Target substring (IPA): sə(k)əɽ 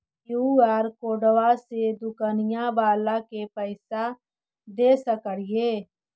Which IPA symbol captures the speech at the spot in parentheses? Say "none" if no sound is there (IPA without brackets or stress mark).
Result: k